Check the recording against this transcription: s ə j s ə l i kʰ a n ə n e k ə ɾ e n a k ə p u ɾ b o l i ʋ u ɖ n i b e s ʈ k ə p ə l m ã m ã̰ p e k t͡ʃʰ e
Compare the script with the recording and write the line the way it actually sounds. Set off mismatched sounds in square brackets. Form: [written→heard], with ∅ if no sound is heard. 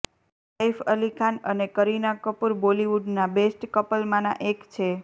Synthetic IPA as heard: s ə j [s→f] ə l i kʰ a n ə n e k ə ɾ [e→i] n a k ə p u ɾ b o l i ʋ u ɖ n [i→a] b e s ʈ k ə p ə l m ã [m→n] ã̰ [p→ʔ] e k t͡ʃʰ e